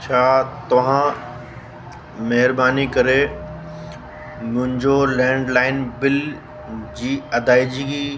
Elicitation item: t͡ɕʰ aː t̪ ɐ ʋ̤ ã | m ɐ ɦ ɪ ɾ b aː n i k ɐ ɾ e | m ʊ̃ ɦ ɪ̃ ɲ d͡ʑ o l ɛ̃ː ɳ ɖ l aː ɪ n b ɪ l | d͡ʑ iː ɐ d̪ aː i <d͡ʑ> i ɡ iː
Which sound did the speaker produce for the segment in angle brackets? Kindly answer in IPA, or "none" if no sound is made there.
d͡ʑ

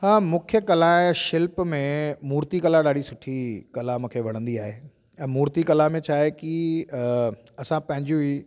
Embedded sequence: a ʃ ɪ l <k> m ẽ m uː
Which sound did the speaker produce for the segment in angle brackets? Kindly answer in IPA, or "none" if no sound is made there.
p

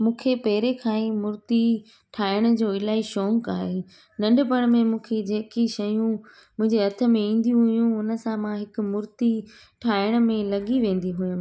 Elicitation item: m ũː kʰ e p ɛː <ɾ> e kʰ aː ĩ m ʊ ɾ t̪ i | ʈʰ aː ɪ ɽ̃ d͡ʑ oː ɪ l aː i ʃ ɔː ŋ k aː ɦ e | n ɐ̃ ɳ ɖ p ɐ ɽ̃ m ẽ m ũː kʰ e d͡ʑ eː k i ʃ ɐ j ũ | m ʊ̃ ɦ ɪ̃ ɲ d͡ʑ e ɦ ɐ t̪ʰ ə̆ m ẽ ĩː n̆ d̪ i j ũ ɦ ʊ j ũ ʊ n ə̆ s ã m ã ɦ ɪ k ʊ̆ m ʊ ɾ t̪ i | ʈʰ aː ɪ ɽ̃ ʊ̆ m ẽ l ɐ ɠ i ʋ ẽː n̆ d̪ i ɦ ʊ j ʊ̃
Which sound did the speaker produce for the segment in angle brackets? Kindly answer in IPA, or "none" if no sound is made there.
ɾ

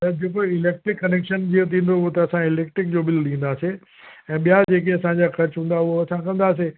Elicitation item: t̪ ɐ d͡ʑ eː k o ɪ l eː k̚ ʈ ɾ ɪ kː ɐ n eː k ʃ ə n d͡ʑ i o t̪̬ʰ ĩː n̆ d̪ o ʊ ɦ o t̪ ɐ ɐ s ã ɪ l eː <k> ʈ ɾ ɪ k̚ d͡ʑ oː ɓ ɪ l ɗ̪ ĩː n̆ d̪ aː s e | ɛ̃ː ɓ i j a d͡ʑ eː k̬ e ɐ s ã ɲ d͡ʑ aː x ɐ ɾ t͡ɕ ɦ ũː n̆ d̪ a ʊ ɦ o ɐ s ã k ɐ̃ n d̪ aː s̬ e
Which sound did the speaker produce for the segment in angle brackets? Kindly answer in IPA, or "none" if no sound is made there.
k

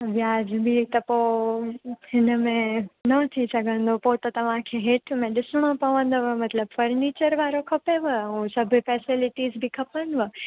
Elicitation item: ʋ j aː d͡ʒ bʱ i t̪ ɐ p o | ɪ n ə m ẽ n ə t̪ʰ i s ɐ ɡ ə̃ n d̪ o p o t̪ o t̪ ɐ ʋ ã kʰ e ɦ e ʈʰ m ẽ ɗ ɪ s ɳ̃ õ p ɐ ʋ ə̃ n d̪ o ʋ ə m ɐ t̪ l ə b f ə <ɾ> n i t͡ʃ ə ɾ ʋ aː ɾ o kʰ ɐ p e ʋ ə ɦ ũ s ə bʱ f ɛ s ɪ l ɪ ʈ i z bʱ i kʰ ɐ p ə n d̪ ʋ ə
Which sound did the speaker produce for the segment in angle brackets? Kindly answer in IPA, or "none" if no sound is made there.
ɾ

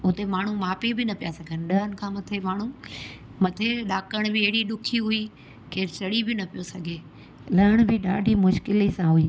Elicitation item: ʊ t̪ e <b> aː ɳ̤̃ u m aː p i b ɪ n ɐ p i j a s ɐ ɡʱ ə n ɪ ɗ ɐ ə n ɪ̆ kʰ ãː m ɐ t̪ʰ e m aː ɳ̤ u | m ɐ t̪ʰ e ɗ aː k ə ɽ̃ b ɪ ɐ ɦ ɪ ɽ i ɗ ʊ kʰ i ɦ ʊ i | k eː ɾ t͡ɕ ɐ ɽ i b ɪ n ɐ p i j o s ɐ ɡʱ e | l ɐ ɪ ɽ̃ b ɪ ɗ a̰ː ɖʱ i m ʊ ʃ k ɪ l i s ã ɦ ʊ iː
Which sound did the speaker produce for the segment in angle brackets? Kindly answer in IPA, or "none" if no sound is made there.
m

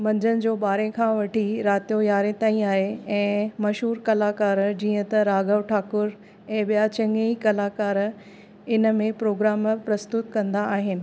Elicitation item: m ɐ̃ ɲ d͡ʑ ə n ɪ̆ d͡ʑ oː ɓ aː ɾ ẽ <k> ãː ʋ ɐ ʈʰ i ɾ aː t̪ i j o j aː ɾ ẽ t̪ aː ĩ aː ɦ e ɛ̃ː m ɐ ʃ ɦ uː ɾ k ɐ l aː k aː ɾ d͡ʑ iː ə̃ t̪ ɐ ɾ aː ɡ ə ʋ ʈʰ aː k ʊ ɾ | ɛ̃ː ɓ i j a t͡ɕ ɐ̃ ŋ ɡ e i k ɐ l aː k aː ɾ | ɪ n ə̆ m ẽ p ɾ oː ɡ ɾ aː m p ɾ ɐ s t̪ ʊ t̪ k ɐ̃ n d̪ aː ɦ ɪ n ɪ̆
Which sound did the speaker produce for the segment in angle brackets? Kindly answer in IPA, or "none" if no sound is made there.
kʰ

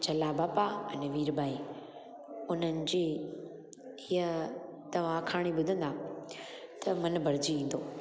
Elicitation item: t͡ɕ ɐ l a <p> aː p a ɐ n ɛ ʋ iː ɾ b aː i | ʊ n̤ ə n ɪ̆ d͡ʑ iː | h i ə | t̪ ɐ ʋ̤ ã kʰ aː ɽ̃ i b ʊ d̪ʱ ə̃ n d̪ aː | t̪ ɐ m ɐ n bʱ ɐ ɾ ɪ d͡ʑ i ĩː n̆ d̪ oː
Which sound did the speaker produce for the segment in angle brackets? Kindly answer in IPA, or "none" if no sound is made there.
b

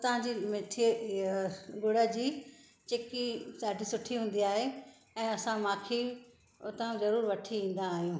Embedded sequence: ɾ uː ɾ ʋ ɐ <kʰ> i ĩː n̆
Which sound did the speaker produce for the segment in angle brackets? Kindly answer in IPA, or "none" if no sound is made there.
ʈʰ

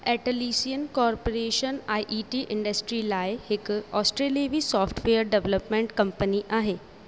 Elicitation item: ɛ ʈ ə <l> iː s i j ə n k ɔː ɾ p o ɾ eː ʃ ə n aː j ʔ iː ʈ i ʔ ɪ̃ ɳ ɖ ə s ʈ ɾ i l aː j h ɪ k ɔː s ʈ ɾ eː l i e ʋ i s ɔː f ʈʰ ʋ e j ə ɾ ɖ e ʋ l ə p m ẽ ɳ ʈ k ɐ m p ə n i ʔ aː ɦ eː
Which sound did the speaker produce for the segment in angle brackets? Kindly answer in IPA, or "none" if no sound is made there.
l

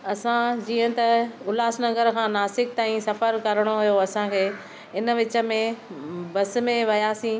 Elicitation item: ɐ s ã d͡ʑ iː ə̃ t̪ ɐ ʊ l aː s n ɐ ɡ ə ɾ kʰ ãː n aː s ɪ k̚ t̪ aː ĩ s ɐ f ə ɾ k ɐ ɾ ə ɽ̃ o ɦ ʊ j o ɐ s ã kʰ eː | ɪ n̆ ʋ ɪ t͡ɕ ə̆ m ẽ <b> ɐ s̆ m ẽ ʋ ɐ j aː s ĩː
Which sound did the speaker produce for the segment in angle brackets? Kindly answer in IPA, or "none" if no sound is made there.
b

